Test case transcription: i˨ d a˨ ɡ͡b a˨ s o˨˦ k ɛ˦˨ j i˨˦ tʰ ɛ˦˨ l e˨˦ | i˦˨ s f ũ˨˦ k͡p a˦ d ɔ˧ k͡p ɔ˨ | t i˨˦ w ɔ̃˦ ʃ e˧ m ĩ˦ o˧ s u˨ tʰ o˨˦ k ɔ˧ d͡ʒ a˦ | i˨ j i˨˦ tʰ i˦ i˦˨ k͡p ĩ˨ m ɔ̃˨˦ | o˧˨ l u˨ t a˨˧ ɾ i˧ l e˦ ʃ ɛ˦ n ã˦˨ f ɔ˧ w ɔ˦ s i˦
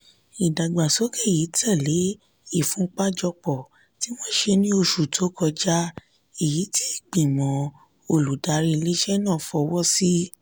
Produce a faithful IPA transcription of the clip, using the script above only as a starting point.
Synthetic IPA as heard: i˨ d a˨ ɡ͡b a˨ s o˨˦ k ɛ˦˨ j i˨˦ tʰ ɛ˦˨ l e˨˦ | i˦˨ f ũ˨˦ k͡p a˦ d͡ʒ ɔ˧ k͡p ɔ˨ | t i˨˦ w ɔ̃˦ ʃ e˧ n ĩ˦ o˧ ʃ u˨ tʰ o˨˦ k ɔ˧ d͡ʒ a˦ | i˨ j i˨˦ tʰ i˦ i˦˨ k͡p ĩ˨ m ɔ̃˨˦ | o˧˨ l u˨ d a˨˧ ɾ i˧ l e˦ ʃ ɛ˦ n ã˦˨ f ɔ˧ w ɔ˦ s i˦